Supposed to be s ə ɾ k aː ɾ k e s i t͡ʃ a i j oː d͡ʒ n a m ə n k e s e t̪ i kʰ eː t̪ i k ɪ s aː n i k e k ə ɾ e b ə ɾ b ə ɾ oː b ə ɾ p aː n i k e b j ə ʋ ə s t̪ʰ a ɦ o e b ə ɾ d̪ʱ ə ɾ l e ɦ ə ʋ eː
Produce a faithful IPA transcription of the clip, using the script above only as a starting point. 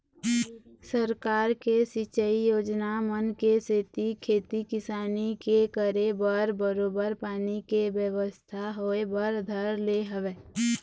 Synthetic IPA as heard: s ə ɾ k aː ɾ k e s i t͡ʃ ə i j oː d͡ʒ n a m ə n k e s e t̪ i kʰ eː t̪ i k ɪ s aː n i k e k ə ɾ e b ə ɾ b ə ɾ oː b ə ɾ p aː n i k e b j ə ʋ ə s t̪ʰ a ɦ o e b ə ɾ d̪ʱ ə ɾ l e ɦ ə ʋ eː